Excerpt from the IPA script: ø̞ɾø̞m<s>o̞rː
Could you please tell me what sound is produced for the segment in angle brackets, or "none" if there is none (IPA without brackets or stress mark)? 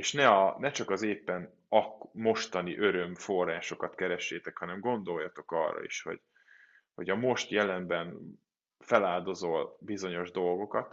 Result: f